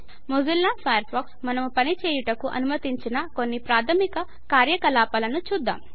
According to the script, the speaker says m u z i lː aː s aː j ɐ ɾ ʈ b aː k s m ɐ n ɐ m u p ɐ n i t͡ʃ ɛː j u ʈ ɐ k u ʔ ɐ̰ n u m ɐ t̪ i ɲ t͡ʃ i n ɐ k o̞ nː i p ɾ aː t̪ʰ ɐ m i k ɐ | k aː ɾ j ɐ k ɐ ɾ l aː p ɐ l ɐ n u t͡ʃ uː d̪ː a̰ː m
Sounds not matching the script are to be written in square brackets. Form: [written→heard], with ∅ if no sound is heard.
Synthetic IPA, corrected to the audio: m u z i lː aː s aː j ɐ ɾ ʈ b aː k s m ɐ n ɐ m u p ɐ n i t͡ʃ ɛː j u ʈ ɐ k u ʔ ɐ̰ n u m ɐ t̪ i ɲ t͡ʃ i n ɐ k o̞ nː i p ɾ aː t̪ʰ ɐ m i k ɐ | k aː ɾ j ɐ k ɐ [ɾ→∅] l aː p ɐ l ɐ n u t͡ʃ uː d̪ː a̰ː m